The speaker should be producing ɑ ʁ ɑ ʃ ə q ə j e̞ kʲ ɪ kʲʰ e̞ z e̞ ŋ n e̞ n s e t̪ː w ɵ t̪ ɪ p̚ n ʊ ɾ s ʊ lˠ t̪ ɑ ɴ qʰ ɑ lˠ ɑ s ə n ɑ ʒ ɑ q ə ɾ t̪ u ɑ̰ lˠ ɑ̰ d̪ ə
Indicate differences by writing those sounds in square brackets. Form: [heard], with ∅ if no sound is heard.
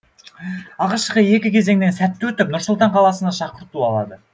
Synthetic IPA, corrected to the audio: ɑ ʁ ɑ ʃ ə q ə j e̞ kʲ ɪ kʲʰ e̞ z e̞ ŋ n e̞ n s [æ] t̪ː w ɵ t̪ ɪ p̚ n ʊ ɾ s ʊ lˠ t̪ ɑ ɴ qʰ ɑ lˠ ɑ s ə n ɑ [ʃ] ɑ q ə ɾ t̪ u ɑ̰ lˠ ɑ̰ d̪ ə